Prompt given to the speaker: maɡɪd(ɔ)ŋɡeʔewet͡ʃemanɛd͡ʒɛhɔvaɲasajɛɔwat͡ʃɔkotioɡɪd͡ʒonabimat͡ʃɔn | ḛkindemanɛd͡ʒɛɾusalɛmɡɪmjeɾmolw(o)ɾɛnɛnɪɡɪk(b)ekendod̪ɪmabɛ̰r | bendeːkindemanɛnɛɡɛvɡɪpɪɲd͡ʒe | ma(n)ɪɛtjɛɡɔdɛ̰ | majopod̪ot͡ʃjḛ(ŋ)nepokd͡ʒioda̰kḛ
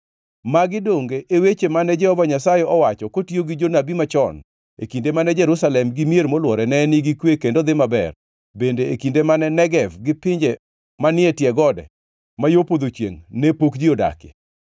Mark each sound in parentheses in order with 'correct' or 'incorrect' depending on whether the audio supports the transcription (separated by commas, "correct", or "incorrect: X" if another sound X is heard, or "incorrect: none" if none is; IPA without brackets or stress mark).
incorrect: o, incorrect: ɔ, incorrect: w, correct, correct